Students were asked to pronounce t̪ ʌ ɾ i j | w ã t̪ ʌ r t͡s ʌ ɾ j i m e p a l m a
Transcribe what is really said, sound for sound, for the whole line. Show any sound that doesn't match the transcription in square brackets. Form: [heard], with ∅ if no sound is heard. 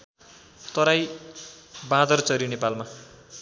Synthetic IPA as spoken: t̪ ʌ ɾ [a] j | [b] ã [d̪] ʌ r t͡s ʌ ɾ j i [n] e p a l m a